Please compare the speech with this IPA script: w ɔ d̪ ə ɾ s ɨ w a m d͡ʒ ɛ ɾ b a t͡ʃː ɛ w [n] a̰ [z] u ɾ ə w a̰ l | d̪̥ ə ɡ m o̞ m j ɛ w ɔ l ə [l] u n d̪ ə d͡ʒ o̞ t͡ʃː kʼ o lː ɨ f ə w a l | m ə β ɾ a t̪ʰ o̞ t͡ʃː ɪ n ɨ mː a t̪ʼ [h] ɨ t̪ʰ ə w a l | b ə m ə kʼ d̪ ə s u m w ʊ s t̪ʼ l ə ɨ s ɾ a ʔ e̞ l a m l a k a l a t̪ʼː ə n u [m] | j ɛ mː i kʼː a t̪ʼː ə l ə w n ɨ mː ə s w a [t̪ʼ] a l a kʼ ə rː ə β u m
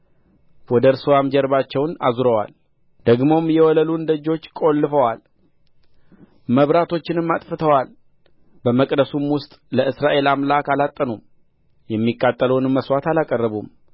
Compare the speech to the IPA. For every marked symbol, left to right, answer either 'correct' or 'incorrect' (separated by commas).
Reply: correct, correct, correct, incorrect, correct, incorrect